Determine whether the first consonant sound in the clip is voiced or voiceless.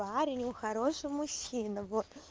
voiced